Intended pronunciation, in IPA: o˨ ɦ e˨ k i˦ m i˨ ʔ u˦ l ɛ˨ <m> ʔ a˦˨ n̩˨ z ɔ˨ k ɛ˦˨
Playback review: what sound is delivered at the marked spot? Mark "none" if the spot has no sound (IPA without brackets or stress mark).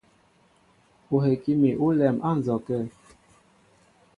m